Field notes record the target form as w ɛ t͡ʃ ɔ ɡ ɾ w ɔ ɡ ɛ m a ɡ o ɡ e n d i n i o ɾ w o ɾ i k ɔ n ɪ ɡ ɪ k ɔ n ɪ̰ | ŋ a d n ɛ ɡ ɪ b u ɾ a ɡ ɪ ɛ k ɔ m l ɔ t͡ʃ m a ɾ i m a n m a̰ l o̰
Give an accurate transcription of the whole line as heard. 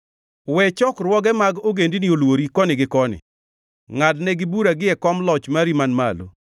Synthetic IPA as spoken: w ɛ t͡ʃ ɔ k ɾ w ɔ ɡ ɛ m a ɡ o ɡ e n d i n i o l w o ɾ i k ɔ n ɪ ɡ ɪ k ɔ n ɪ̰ | ŋ a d n ɛ ɡ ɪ b u ɾ a ɡ ɪ ɛ k ɔ m l ɔ t͡ʃ m a ɾ i m a n m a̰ l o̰

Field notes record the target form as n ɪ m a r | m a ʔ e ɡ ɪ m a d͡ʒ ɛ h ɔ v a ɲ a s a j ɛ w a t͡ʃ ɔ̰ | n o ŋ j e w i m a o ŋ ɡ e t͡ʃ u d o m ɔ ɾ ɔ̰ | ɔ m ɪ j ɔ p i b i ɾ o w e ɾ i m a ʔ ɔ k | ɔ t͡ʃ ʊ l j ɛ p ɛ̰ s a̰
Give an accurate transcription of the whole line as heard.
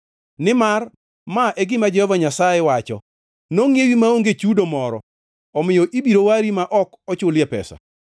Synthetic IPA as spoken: n ɪ m a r | m a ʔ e ɡ ɪ m a d͡ʒ ɛ h ɔ v a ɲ a s a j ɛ w a t͡ʃ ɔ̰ | n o ŋ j e w i m a o ŋ ɡ e t͡ʃ u d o m ɔ ɾ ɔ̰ | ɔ m ɪ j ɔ ʔ i b i ɾ o w a ɾ i m a ʔ ɔ k | ɔ t͡ʃ ʊ l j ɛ p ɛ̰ s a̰

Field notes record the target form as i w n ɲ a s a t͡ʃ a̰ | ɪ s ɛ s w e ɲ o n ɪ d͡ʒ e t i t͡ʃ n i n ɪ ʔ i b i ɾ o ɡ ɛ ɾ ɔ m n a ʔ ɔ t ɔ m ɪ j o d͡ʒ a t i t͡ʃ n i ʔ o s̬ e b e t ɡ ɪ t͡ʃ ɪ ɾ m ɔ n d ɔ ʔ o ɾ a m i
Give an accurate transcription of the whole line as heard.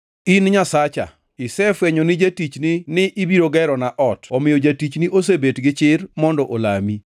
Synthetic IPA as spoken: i n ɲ a s a t͡ʃ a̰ | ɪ s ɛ f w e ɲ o n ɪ d͡ʒ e t i t͡ʃ n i n ɪ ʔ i b i ɾ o ɡ ɛ ɾ ɔ n a ʔ ɔ t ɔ m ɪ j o d͡ʒ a t i t͡ʃ n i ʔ o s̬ e b e t ɡ ɪ t͡ʃ ɪ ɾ m ɔ n d ɔ ʔ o l a m i

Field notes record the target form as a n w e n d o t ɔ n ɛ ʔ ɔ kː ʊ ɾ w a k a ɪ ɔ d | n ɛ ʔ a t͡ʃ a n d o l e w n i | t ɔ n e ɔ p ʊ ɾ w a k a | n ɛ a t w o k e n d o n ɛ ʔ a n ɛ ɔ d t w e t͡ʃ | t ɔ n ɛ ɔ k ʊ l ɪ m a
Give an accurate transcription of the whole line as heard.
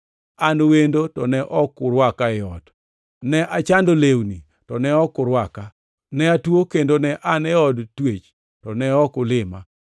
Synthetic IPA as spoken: a n w e n d o t ɔ n ɛ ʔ ɔ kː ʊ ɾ w a k a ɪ ɔ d | n ɛ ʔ a t͡ʃ a n d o l e w n i | t ɔ n ɛ ɔ k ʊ ɾ w a k a | n ɛ a t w o k e n d o n ɛ ʔ a n ɛ ɔ d t w e t͡ʃ | t ɔ n ɛ ɔ k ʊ l ɪ m a

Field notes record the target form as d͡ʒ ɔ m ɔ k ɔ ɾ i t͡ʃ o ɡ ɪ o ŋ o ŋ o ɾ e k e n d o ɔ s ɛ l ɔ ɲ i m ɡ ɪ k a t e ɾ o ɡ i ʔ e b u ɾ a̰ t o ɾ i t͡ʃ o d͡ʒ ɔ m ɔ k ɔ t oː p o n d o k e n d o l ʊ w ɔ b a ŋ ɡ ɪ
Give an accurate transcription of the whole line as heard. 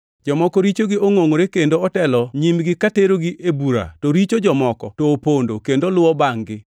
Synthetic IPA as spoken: d͡ʒ ɔ m ɔ k ɔ ɾ i t͡ʃ o ɡ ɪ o ŋ o ŋ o ɾ e k e n d o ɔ t ɛ l ɔ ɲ i m ɡ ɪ k a t e ɾ o ɡ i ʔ e b u ɾ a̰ t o ɾ i t͡ʃ o d͡ʒ ɔ m ɔ k ɔ t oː p o n d o k e n d o l ʊ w ɔ b a ŋ ɡ ɪ

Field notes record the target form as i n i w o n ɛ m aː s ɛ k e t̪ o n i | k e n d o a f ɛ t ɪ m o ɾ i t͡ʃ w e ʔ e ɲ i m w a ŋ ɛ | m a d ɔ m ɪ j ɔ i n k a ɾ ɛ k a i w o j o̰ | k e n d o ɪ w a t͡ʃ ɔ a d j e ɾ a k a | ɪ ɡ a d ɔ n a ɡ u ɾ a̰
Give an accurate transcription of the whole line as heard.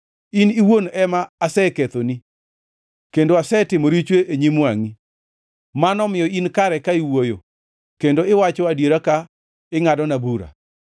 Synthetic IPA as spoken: i n i w o n ɛ m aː s ɛ k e t̪ o n i | k e n d o a s ɛ t ɪ m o ɾ i t͡ʃ w e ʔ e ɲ i m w a ŋ i | m a n ɔ m ɪ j ɔ i n k a ɾ ɛ k a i w o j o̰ | k e n d o ɪ w a t͡ʃ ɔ a d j e ɾ a k a | ɪ ŋ a d ɔ n a b u ɾ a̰

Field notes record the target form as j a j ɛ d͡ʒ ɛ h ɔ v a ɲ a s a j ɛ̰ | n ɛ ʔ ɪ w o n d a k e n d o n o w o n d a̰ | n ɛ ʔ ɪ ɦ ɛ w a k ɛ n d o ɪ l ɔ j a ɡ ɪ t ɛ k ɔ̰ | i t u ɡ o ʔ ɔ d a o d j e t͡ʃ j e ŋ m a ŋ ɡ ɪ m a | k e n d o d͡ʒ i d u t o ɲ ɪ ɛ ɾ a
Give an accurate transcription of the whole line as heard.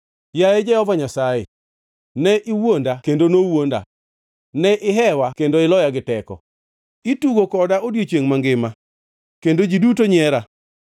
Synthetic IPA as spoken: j a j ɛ d͡ʒ ɛ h ɔ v a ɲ a s a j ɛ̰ | n ɛ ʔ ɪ w o n d a k e n d o n o w o n d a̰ | n ɛ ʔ ɪ ɦ ɛ w a k e n d o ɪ l ɔ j a ɡ ɪ t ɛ k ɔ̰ | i t u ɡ o k ɔ d a o d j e t͡ʃ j e ŋ m a ŋ ɡ ɪ m a | k e n d o d͡ʒ i d u t o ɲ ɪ ɛ ɾ a

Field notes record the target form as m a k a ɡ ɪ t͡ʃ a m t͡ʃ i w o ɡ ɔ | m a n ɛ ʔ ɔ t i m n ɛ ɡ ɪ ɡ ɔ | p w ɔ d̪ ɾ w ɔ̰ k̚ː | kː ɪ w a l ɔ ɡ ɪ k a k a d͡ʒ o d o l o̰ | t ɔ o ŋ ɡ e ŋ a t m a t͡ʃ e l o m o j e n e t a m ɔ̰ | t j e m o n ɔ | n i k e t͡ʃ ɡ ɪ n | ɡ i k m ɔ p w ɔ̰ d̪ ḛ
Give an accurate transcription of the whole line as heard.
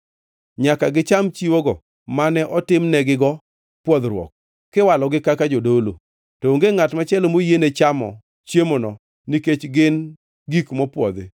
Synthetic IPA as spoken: ɲ a k a ɡ ɪ t͡ʃ a m t͡ʃ i w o ɡ ɔ | m a n ɛ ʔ ɔ t ɪ m n ɛ ɡ ɪ ɡ ɔ | p w ɔ d̪ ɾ w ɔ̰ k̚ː | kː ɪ w a l ɔ ɡ ɪ k a k a d͡ʒ o d o l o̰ | t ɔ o ŋ ɡ e ŋ a t m a t͡ʃ ɛ l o m o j e n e t͡ʃ a m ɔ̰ | t͡ʃ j e m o n ɔ | n i k e t͡ʃ ɡ ɪ n | ɡ i k m ɔ p w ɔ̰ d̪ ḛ

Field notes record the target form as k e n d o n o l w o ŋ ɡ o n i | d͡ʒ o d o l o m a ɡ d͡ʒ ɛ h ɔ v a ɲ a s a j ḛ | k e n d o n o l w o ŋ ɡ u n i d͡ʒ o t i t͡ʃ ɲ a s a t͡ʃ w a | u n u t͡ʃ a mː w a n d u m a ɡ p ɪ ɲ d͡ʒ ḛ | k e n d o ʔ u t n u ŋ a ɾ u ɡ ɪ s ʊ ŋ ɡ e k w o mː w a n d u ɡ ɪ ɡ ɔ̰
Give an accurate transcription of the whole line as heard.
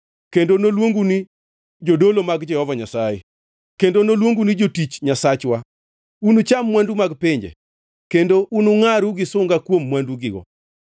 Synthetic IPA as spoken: k e n d o n o l w o ŋ ɡ u n i | d͡ʒ o d o l o m a ɡ d͡ʒ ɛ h ɔ v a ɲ a s a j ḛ | k e n d o n o l w o ŋ ɡ u n i d͡ʒ o t i t͡ʃ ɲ a s a t͡ʃ w a | u n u t͡ʃ a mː w a n d u m a ɡ p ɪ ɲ d͡ʒ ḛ | k e n d o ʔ u n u ŋ a ɾ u ɡ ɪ s ʊ ŋ ɡ a k w o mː w a n d u ɡ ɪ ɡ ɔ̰

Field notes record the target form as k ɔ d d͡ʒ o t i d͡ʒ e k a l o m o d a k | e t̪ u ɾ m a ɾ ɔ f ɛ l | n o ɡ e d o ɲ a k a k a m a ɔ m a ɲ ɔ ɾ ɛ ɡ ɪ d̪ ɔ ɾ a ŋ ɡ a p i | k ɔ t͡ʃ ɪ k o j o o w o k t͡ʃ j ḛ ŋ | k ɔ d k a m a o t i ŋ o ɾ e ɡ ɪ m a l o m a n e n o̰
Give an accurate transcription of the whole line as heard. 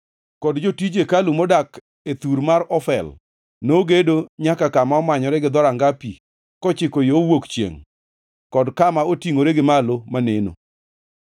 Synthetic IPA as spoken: k ɔ d d͡ʒ o t i d͡ʒ e k a l u m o d a k | e t̪ u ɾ m a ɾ ɔ f ɛ l | n o ɡ e d o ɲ a k a k a m a ɔ m a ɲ ɔ ɾ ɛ ɡ ɪ d̪ ɔ ɾ a ŋ ɡ a p i | k ɔ t͡ʃ ɪ k o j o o w o k t͡ʃ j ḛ ŋ | k ɔ d k a m a o t i ŋ o ɾ e ɡ ɪ m a l o m a n e n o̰

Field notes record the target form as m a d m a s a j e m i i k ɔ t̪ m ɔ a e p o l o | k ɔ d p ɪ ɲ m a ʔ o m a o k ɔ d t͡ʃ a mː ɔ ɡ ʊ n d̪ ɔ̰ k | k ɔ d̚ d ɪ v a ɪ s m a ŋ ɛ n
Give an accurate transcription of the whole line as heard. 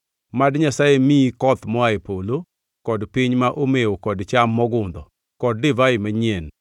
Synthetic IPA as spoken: m a d ɲ a s a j e m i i k ɔ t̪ m ɔ a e p o l o | k ɔ d p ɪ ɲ m a ʔ o m e o k ɔ d t͡ʃ a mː ɔ ɡ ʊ n d̪ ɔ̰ | k ɔ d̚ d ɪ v a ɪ m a ɲ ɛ n

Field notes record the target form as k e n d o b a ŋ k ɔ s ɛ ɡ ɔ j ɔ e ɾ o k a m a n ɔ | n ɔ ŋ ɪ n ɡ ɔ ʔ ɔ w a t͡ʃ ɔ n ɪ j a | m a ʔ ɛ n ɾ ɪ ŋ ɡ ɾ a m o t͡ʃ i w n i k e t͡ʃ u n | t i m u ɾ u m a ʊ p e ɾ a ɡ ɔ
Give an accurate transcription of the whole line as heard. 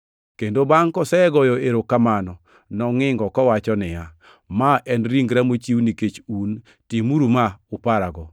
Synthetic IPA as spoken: k e n d o b a ŋ k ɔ s ɛ ɡ ɔ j ɔ e ɾ o k a m a n ɔ | n ɔ ŋ ɪ ŋ ɡ ɔ k ɔ w a t͡ʃ ɔ n ɪ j a | m a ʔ ɛ n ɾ i ŋ ɡ ɾ a m o t͡ʃ i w n i k e t͡ʃ u n | t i m u ɾ u m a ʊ p a ɾ a ɡ ɔ

